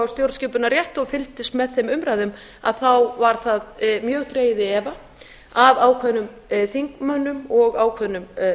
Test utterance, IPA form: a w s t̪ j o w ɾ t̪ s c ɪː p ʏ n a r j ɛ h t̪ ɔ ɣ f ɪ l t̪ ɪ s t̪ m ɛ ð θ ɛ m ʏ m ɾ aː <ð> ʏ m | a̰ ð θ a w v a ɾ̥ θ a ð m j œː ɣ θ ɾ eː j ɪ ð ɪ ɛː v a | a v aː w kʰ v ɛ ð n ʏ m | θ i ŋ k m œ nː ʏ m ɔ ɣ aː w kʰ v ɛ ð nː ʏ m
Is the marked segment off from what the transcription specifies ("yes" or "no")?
no